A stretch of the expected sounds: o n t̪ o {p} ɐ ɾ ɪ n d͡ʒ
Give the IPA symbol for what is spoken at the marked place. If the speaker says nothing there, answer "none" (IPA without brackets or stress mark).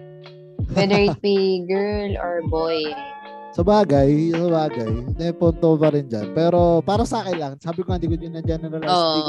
p